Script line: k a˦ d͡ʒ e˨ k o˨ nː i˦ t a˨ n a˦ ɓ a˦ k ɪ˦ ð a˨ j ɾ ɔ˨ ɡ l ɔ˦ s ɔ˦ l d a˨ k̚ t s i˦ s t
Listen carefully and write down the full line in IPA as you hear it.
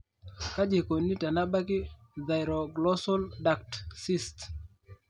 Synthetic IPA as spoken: k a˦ d͡ʒ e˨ k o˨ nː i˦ t a˨ n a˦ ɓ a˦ k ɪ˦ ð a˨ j ɾ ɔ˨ ɡ l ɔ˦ s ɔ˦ l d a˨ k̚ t s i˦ s t